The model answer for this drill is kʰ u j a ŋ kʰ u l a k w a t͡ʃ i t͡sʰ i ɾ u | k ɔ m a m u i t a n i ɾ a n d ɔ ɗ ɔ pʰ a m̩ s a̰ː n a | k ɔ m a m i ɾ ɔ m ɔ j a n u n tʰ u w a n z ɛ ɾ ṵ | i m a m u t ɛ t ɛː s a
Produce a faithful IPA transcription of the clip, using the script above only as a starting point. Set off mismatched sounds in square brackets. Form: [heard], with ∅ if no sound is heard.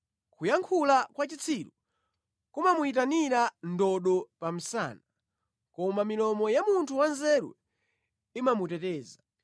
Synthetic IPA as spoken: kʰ u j a ŋ kʰ u l a k w a t͡ʃ i t͡sʰ i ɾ u | k [u] m a m u i t a n i ɾ a n d ɔ ɗ ɔ [p] a m̩ s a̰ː n a | k ɔ m a m i [l] ɔ m ɔ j a [m] u n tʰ u w a n z ɛ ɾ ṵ | i m a m u t ɛ t ɛː [z] a